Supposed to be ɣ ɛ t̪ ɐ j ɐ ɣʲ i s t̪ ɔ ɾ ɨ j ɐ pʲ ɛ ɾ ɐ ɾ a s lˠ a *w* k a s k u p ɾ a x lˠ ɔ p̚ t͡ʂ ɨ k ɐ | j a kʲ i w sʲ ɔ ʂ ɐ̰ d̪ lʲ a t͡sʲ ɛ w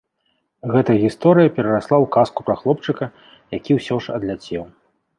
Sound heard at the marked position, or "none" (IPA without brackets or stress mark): w